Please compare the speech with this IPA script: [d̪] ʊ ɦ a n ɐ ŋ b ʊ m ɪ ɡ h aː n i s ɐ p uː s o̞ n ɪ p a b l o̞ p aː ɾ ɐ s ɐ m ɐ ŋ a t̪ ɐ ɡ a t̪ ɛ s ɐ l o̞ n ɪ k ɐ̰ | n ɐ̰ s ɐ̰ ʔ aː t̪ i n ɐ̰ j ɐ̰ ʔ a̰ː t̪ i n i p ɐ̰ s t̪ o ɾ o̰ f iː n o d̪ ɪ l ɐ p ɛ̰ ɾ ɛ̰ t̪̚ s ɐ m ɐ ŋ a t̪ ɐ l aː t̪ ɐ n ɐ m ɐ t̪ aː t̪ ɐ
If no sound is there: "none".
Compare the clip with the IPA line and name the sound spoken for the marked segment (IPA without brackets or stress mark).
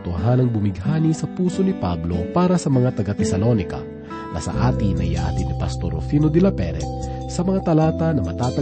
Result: t̪